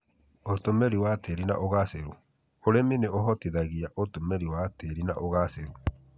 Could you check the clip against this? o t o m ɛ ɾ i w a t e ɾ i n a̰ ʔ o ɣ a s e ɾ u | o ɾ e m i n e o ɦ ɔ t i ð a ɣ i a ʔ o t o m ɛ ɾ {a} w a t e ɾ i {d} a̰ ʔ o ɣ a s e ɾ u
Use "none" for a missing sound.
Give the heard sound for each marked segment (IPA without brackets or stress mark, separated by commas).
i, n